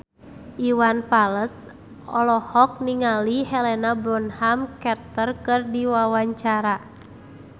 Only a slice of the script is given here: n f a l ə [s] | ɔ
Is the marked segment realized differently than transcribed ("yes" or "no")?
no